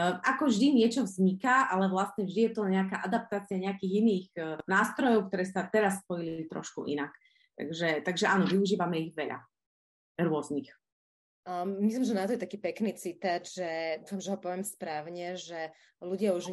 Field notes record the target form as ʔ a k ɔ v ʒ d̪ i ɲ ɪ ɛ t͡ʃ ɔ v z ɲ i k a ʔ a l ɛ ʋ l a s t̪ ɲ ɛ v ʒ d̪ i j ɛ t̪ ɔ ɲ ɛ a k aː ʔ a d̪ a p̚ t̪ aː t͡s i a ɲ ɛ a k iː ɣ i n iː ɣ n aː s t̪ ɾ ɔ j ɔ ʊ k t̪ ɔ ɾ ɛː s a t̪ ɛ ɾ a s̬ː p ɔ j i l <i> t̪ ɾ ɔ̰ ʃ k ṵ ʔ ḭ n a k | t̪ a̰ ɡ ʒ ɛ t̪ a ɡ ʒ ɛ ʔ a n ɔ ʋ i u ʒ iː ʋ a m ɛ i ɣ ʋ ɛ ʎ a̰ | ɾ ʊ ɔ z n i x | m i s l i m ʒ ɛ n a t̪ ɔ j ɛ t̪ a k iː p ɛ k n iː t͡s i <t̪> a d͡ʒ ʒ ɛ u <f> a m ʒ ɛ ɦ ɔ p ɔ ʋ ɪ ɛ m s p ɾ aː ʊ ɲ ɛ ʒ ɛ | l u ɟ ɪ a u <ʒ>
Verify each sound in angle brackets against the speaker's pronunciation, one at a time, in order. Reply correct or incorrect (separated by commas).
correct, correct, correct, correct